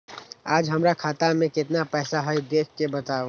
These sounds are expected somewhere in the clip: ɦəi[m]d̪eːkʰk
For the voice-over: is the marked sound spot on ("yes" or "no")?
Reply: no